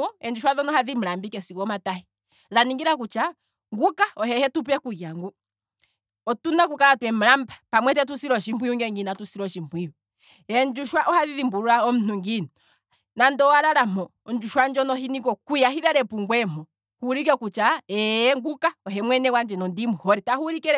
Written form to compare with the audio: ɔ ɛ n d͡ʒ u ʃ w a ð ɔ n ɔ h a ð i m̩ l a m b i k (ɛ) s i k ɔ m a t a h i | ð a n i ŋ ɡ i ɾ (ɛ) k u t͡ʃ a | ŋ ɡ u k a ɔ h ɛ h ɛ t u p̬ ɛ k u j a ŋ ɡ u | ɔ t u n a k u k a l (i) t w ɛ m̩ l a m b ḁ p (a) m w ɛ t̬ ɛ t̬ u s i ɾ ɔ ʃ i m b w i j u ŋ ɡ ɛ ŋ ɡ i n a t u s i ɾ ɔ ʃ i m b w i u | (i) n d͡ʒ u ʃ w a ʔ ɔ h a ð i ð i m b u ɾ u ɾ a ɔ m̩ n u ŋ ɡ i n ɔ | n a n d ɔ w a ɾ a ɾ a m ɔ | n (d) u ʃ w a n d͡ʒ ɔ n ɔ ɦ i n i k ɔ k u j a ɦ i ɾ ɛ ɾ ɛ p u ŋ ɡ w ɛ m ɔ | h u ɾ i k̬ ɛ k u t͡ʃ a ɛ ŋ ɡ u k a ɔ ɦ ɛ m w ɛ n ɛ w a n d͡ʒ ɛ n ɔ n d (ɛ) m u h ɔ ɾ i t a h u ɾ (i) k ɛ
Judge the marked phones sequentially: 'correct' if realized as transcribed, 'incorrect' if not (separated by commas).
correct, incorrect, incorrect, correct, incorrect, incorrect, incorrect, correct